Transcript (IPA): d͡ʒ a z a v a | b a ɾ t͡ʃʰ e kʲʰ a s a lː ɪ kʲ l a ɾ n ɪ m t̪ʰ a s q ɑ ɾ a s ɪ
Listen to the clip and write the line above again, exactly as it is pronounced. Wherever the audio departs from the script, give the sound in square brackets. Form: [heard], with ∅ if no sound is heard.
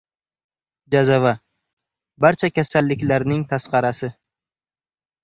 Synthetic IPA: d͡ʒ a z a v a | b a ɾ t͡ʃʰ [a] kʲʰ a s a lː ɪ kʲ l a ɾ n ɪ [ŋ] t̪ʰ a s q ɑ ɾ a s ɪ